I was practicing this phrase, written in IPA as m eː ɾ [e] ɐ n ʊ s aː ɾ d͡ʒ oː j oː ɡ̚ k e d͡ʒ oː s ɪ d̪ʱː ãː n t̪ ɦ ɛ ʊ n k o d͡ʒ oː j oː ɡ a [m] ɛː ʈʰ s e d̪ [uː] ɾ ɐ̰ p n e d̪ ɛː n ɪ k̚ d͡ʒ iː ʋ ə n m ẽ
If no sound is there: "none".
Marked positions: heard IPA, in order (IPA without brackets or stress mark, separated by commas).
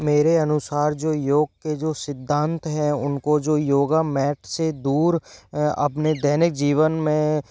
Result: e, m, uː